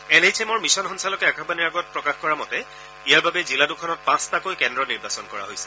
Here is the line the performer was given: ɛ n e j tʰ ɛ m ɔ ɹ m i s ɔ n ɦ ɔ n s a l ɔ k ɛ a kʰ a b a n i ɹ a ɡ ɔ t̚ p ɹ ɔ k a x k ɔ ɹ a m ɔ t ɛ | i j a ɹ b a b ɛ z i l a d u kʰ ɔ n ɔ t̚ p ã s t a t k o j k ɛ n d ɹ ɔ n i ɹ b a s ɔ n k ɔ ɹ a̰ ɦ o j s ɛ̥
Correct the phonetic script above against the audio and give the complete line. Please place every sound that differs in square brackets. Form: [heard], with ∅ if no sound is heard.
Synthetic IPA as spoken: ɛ n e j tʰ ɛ m ɔ ɹ m i s ɔ n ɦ ɔ n s a l ɔ k ɛ a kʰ a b a n i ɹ a ɡ ɔ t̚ p ɹ ɔ k a x k ɔ ɹ a m ɔ t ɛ | i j a ɹ b a b ɛ z i l a d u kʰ ɔ n ɔ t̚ p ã s t a [∅] k o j k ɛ n d ɹ ɔ n i ɹ b a s ɔ n k ɔ ɹ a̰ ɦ o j s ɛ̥